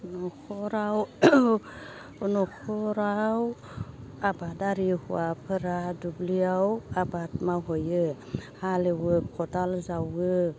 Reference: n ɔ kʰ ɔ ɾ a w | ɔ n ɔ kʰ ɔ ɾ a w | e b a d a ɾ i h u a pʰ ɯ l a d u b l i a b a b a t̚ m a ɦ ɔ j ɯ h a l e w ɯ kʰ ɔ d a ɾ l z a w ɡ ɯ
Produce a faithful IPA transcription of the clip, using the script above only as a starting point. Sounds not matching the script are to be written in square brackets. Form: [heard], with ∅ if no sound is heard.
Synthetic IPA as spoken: n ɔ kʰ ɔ ɾ a w | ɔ n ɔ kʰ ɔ ɾ a w | [a] b a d a ɾ i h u a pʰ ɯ [ɾ] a d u b l i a [w] a b a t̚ m a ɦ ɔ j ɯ h a l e w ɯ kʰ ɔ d a [∅] l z a w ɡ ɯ